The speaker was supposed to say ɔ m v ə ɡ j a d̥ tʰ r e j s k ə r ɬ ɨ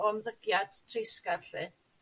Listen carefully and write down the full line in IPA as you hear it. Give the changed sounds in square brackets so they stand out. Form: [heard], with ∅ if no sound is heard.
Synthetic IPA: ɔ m [ð] ə ɡ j a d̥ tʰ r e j s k [a] r ɬ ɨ